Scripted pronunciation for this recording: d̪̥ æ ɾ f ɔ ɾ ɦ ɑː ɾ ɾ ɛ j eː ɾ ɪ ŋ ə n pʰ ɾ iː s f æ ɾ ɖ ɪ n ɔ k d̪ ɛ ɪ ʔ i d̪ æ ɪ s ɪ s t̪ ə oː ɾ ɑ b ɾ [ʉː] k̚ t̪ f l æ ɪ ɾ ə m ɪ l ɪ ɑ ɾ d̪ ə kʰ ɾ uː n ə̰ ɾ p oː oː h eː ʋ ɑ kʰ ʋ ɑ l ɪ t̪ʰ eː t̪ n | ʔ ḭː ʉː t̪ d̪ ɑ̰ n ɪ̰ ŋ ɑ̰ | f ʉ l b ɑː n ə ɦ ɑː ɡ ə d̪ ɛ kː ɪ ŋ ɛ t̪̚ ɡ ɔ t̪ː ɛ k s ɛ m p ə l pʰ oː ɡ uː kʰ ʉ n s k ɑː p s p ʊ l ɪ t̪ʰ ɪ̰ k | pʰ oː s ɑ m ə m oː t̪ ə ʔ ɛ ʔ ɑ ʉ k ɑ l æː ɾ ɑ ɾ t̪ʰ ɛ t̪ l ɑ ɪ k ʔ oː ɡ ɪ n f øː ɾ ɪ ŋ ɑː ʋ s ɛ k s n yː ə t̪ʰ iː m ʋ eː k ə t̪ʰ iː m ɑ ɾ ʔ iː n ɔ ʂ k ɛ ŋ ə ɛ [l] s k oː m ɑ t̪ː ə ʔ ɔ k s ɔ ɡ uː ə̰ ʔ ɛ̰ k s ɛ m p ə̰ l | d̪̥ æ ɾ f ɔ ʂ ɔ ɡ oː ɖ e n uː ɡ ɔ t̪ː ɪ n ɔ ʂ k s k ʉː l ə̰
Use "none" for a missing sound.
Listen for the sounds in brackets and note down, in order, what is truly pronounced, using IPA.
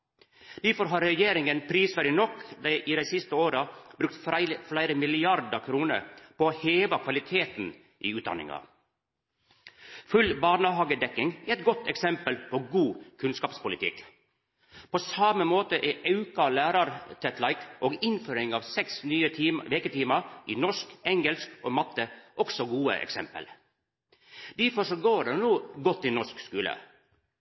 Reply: ʉ, l

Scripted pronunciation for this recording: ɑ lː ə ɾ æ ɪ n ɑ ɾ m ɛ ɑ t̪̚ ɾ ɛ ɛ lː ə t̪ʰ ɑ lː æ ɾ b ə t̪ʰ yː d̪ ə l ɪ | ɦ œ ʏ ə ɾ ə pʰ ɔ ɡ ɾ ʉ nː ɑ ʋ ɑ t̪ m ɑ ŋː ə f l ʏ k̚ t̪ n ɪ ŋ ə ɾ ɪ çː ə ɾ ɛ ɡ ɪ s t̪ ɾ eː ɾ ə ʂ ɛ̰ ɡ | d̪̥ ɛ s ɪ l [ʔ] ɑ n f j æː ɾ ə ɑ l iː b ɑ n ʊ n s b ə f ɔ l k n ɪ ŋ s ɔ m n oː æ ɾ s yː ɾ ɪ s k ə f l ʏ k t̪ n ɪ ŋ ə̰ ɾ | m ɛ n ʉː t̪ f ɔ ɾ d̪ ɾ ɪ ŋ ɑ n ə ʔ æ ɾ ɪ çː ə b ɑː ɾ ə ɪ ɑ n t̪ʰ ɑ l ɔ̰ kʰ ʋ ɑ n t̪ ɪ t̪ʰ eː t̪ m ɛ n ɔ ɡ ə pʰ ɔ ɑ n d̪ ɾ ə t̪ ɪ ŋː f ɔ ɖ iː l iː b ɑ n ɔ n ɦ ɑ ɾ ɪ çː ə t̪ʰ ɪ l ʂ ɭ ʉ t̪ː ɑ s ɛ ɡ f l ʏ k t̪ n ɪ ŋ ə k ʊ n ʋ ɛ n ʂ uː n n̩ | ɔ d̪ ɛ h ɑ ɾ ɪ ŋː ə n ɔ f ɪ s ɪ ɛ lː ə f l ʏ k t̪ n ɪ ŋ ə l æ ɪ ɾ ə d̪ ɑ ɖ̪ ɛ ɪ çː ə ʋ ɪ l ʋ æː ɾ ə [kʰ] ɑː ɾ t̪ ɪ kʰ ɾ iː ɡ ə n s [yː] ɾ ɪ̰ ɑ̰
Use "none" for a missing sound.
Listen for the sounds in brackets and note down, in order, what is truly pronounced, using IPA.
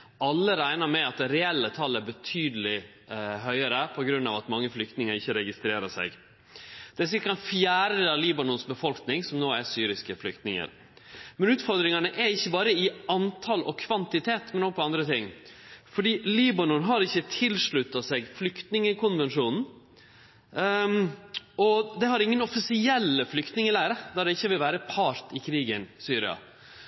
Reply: k, pʰ, yː

